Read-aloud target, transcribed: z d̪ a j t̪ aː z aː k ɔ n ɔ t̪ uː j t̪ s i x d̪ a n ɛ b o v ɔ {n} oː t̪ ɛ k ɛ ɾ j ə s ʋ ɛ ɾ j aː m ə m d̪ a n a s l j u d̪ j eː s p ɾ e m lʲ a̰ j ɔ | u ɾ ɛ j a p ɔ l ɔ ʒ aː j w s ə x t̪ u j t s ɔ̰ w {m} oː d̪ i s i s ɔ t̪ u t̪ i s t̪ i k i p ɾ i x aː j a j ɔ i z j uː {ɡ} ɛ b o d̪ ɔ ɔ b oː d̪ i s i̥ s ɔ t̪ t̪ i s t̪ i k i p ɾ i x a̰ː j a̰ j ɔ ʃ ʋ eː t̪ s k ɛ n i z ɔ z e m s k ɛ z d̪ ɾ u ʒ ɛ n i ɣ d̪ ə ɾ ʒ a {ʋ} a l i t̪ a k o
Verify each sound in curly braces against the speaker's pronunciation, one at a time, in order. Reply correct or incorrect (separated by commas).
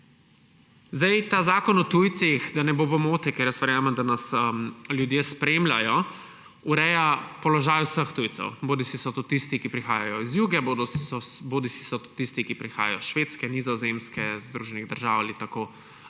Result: incorrect, incorrect, correct, incorrect